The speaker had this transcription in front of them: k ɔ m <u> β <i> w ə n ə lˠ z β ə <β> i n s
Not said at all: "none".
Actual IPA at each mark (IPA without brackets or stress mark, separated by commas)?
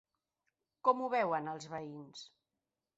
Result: u, ɛ, none